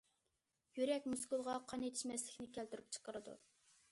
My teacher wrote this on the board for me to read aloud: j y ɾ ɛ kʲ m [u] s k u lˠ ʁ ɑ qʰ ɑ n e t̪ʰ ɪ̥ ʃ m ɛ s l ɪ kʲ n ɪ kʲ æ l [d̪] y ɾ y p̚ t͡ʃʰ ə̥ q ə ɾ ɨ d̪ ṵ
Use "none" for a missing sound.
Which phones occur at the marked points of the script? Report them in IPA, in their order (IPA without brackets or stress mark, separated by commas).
u, t̪